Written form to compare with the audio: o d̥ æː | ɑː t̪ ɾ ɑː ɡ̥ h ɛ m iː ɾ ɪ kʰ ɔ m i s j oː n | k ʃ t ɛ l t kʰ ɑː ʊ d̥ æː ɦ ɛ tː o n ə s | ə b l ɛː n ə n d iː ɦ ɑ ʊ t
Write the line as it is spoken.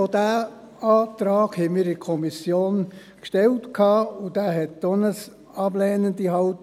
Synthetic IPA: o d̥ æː | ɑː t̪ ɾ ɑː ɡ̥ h ɛ m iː ɾ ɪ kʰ ɔ m i s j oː n | k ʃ t ɛ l t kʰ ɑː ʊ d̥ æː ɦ ɛ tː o n ə s | ɑ b l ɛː n ə n d i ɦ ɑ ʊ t